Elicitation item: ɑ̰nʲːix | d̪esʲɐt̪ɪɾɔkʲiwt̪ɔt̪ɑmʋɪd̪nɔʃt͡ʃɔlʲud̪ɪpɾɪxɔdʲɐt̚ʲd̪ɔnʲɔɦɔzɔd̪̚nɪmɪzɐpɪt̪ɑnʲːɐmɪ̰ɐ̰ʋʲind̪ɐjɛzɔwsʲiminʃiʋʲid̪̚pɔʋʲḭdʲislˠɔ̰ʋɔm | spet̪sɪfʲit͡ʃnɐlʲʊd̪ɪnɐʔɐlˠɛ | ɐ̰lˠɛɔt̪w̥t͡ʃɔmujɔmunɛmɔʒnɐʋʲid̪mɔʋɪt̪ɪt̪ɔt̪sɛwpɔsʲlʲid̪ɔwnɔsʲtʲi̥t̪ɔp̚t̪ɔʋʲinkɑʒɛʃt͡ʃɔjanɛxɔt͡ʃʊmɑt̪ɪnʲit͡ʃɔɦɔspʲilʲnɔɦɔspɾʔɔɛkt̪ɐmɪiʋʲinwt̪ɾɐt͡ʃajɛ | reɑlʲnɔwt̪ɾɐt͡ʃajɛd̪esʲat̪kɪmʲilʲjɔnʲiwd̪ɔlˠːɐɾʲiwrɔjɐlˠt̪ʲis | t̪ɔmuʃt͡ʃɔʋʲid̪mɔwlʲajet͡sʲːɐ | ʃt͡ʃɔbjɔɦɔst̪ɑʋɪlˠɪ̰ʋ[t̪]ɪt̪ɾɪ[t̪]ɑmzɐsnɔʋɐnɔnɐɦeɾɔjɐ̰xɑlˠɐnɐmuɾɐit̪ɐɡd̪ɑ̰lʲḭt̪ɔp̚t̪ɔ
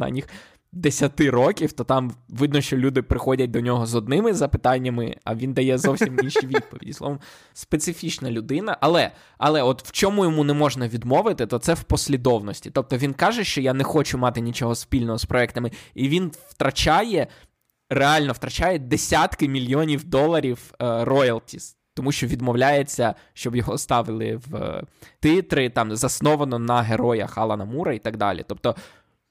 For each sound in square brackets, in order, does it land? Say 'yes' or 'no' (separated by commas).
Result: yes, yes